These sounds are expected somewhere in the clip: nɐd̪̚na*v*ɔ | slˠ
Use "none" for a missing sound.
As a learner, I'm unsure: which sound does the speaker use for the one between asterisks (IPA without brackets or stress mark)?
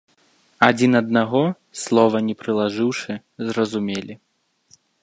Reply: ɣ